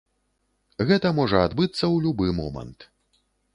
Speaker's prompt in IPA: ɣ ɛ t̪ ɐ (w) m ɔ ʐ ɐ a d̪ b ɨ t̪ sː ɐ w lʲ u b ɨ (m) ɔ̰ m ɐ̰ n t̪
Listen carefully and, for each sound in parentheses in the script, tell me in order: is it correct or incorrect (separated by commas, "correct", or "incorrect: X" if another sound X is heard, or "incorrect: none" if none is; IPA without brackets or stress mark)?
incorrect: none, correct